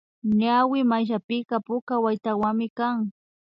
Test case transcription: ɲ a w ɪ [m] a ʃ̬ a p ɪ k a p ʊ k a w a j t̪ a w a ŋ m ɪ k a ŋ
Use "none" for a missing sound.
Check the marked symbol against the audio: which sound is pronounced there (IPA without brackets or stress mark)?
m